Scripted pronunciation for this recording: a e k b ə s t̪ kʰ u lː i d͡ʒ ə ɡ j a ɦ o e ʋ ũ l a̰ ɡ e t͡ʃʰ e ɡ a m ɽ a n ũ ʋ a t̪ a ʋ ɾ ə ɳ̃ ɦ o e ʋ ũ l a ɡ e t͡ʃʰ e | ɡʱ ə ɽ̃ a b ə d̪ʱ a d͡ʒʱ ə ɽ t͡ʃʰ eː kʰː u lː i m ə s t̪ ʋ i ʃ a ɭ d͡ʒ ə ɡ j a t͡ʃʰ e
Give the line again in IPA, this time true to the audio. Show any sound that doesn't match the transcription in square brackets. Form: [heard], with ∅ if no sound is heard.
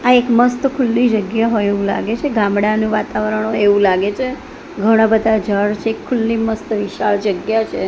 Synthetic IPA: a e k [m] ə s t̪ kʰ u lː i d͡ʒ ə ɡ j a ɦ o e ʋ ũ l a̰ ɡ e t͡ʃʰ e ɡ a m ɽ a n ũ ʋ a t̪ a ʋ ɾ ə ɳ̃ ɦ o e ʋ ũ l a ɡ e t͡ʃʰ e | ɡʱ ə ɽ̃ a b ə d̪ʱ a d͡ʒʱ ə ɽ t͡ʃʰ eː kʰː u lː i m ə s t̪ ʋ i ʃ a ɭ d͡ʒ ə ɡ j a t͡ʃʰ e